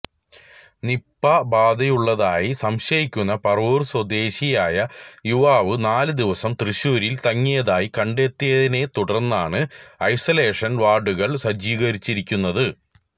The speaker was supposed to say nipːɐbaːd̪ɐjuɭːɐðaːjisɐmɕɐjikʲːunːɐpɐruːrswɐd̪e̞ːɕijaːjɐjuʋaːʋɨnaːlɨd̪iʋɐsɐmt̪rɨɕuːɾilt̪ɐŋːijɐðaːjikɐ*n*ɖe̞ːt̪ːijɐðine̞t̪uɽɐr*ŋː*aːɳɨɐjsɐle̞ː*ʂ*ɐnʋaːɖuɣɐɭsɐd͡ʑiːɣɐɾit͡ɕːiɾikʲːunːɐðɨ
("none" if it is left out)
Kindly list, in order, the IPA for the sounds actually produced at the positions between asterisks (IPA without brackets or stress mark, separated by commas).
ɳ, nː, ʂ